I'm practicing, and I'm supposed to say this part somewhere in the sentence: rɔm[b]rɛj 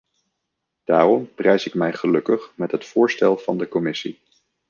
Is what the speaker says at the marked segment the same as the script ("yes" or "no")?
no